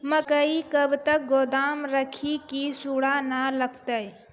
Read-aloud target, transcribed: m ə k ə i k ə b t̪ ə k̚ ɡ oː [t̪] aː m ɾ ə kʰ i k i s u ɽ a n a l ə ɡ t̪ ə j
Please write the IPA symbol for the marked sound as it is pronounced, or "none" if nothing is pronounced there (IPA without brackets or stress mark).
d̪